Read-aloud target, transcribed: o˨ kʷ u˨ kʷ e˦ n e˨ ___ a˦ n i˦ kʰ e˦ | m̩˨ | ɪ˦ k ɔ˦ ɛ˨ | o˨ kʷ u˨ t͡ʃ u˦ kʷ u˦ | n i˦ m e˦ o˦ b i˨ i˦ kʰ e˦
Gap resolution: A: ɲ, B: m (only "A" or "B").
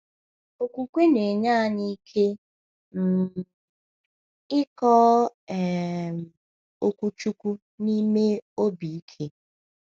A